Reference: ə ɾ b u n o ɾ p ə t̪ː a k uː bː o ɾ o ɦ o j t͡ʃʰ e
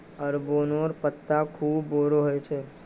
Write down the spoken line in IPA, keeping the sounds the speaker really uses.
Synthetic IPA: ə ɾ b o n o ɾ p ə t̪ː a kʰ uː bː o ɾ o ɦ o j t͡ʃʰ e